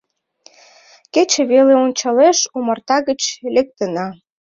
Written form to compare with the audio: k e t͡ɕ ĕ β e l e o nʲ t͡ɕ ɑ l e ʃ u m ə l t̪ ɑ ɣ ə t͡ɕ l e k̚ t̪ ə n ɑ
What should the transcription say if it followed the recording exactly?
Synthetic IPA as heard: k e t͡ɕ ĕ β e l e o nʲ t͡ɕ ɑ l e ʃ u m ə r t̪ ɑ ɣ ə t͡ɕ l e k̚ t̪ ə n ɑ

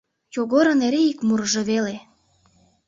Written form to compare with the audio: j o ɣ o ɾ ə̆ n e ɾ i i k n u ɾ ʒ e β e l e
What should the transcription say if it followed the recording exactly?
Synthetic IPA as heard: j o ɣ o ɾ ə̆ n e ɾ e i k m u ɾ ʒ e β e l e

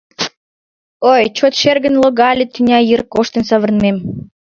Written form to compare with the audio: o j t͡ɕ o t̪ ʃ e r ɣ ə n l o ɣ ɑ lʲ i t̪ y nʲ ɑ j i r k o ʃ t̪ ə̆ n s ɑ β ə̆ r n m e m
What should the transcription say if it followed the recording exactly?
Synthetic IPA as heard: o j t͡ɕ o t̪ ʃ e r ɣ ə n l o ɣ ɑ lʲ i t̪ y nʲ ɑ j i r k o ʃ t̪ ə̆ n s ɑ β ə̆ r n m e m

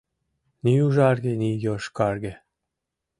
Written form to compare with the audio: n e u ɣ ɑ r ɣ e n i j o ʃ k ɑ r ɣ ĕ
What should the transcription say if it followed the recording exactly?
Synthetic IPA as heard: n i u ʒ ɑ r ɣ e n i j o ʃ k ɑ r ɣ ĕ

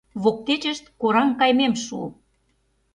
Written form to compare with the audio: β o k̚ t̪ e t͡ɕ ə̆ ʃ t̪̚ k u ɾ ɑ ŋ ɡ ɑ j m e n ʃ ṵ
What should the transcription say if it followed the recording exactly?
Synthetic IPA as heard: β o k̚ t̪ e t͡ɕ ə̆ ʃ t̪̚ k o ɾ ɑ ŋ k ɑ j m e m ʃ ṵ

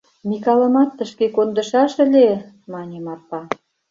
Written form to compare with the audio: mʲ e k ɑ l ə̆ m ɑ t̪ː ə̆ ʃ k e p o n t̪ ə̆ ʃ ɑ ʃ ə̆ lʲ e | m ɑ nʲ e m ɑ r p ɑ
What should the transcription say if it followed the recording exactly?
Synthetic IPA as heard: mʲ i k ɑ l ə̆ m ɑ t̪ː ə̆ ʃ k e k o n d̪ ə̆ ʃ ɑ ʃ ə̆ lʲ e | m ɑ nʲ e m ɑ r p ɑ

